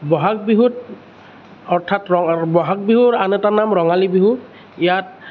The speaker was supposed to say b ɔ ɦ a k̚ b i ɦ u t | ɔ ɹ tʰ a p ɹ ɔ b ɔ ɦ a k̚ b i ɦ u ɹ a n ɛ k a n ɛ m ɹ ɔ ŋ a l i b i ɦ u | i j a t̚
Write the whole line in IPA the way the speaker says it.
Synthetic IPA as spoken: b ɔ ɦ a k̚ b i ɦ u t | ɔ ɹ tʰ a t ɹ ɔ b ɔ ɦ a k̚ b i ɦ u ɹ a n ɛ t a n a m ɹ ɔ ŋ a l i b i ɦ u | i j a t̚